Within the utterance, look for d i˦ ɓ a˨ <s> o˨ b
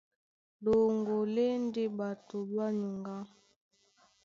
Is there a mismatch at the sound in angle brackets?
yes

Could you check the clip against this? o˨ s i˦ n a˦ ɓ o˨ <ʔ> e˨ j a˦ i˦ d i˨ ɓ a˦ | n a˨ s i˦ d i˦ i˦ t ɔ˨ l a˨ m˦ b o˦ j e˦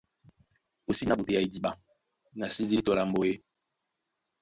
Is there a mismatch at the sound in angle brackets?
yes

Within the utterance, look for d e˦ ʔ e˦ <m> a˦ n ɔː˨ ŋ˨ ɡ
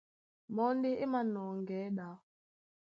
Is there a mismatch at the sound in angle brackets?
no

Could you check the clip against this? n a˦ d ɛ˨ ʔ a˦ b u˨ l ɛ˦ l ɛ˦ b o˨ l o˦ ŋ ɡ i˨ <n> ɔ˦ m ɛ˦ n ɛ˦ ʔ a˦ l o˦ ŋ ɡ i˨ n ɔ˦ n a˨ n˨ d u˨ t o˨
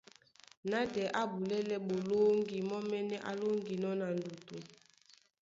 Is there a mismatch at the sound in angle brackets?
yes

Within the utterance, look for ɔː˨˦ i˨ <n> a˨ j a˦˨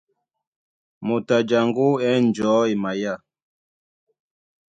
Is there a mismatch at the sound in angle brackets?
yes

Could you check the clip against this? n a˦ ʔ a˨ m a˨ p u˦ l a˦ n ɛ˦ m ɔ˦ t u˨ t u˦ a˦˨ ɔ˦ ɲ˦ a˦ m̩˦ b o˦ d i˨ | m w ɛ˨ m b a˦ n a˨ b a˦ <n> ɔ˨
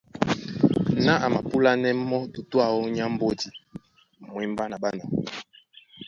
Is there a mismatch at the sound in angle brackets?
no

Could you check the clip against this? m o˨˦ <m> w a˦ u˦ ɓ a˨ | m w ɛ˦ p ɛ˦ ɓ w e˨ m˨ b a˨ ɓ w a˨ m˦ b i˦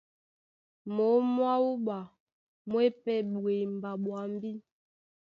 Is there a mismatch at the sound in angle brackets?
no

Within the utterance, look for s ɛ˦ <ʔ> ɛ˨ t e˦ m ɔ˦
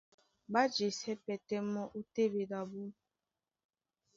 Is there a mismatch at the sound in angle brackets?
yes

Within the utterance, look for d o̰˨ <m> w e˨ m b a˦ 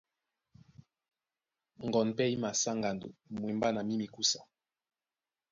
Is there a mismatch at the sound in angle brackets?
no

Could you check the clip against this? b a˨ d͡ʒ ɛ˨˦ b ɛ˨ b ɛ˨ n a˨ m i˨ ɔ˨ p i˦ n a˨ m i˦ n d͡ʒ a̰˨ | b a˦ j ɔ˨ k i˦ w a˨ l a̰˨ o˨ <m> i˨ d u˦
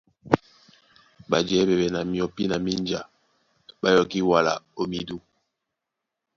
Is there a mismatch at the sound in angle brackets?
no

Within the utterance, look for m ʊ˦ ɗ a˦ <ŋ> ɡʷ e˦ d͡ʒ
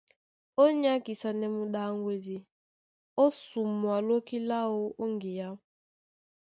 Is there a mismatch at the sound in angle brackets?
no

